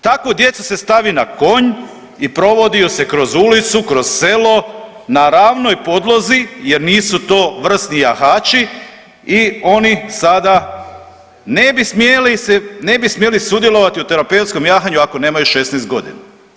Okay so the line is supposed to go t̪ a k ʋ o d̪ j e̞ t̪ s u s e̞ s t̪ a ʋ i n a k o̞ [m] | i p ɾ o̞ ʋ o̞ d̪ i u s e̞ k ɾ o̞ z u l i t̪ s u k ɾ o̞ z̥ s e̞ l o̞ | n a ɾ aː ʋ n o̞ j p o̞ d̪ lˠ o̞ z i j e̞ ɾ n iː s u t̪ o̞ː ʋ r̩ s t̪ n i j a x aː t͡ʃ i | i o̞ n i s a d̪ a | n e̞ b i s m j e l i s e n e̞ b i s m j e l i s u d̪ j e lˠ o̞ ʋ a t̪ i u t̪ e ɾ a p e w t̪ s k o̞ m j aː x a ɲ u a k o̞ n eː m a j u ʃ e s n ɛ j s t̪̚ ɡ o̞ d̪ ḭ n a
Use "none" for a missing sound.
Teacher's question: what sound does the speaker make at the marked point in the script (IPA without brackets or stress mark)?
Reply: ɲ